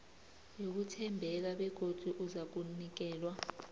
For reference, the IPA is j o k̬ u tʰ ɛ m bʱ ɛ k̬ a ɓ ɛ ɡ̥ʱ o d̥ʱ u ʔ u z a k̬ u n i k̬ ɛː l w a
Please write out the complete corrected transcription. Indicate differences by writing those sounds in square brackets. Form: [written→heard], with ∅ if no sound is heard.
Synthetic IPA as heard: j o k̬ u tʰ ɛ m bʱ ɛ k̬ a ɓ ɛ ɡ̥ʱ o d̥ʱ u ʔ u z a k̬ u n i k̬ ɛː l w a

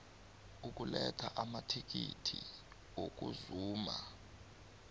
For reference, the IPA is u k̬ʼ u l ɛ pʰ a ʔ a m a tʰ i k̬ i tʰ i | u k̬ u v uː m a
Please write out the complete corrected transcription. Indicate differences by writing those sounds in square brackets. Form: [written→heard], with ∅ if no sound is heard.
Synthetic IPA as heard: u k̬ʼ u l ɛ [pʰ→tʰ] a ʔ a m a tʰ i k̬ i tʰ i | [u→o] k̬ u [v→z] uː m a

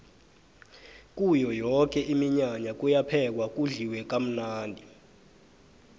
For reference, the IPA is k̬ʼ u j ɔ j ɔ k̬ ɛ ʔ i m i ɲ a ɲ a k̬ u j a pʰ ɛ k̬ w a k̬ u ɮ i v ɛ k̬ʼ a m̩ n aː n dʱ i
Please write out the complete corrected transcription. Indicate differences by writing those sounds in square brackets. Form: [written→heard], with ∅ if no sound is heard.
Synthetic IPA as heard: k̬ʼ u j ɔ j ɔ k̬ ɛ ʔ i m i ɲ a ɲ a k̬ u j a pʰ ɛ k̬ w a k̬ u ɮ i [v→w] ɛ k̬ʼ a m̩ n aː n dʱ i

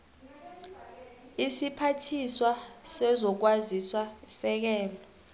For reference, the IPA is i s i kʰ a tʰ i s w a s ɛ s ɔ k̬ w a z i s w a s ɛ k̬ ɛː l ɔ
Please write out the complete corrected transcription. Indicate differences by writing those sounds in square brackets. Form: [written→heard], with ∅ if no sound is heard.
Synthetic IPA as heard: i s i [kʰ→pʰ] a tʰ i s w a s ɛ [s→z] ɔ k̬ w a z i s w a s ɛ k̬ ɛː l ɔ

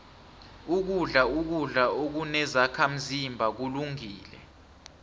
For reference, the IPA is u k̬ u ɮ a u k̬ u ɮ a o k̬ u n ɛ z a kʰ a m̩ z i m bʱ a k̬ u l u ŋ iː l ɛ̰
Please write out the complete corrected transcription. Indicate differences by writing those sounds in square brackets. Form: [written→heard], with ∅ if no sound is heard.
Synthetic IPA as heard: u k̬ u ɮ a u k̬ u ɮ a o k̬ u n ɛ z a kʰ a m̩ z i m bʱ a k̬ u l u ŋ iː l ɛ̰

